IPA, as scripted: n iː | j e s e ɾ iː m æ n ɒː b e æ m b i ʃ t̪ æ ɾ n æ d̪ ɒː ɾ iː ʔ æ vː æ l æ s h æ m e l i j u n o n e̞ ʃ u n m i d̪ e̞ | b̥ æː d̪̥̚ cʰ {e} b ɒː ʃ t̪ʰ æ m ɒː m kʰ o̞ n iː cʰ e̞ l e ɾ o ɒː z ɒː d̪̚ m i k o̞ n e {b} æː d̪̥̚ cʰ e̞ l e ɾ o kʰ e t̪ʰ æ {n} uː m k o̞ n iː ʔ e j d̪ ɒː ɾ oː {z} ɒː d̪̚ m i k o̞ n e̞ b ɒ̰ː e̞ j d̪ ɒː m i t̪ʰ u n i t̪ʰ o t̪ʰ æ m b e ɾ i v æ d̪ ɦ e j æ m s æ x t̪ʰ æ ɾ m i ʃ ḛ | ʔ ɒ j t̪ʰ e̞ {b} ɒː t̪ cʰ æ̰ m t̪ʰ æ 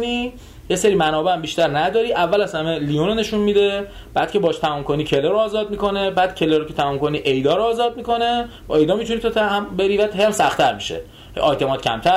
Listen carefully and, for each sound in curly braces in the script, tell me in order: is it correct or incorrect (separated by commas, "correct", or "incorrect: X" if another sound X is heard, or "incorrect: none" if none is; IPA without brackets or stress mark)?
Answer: correct, correct, incorrect: m, correct, incorrect: m